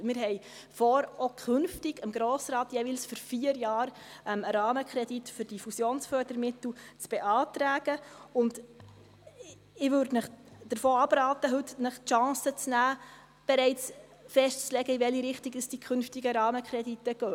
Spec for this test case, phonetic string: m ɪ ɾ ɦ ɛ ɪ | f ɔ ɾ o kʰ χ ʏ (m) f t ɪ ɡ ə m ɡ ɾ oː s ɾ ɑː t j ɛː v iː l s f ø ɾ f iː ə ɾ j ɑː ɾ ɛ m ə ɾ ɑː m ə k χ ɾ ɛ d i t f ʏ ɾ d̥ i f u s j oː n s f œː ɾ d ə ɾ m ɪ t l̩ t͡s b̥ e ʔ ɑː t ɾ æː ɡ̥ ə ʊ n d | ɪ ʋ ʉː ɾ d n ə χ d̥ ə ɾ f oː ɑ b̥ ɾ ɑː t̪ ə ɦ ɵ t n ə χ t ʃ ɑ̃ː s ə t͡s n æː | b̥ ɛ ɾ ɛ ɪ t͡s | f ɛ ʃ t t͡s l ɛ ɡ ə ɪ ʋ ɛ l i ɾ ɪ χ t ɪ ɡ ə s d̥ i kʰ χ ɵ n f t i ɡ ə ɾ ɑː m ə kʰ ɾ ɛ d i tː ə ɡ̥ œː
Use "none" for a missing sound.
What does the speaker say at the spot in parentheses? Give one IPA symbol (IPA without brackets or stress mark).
n